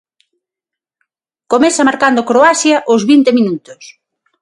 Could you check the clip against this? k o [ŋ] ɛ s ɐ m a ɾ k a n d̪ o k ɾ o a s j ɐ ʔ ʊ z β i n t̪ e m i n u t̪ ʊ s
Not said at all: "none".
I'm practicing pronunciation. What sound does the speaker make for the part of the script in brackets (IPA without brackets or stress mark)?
m